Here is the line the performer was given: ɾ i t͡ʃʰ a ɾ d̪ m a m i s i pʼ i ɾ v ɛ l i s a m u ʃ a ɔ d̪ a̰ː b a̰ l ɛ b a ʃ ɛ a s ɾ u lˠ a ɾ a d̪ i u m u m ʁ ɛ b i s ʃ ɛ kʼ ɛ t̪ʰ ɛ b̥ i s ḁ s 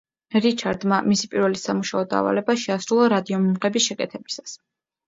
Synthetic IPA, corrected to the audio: ɾ i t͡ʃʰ a ɾ d̪ m a m i s i pʼ i ɾ v ɛ l i s a m u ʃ a ɔ d̪ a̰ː v a̰ l ɛ b a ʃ ɛ a s ɾ u lˠ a ɾ a d̪ i ɔ m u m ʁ ɛ b i s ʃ ɛ kʼ ɛ t̪ʰ ɛ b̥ i s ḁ s